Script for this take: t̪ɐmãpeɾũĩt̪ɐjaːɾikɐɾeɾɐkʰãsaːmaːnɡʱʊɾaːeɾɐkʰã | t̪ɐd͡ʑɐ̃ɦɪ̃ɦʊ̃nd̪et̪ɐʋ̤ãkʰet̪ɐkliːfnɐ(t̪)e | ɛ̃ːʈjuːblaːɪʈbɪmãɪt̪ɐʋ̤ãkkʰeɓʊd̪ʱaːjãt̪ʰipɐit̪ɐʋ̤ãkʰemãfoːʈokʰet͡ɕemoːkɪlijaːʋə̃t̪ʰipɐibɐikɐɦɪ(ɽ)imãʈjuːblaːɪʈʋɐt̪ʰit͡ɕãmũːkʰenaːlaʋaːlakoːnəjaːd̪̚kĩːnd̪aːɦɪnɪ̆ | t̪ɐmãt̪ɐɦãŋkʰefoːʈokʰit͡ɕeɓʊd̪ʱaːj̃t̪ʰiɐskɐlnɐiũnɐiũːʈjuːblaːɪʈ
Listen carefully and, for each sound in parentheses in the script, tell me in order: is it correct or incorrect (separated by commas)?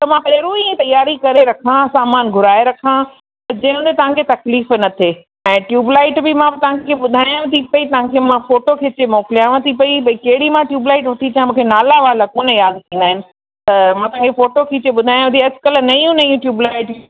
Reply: incorrect, correct